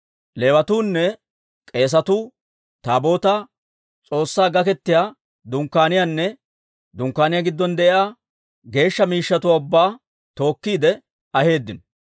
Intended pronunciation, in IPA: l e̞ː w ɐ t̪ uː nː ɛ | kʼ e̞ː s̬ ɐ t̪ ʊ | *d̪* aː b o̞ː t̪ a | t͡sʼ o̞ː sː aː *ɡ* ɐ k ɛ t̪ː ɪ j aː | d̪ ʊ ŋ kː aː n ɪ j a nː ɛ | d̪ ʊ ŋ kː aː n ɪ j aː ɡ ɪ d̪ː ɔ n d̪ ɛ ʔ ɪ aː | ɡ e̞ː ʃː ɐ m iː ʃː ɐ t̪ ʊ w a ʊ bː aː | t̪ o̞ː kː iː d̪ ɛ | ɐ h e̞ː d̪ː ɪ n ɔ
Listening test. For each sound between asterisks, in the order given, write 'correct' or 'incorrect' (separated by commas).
incorrect, correct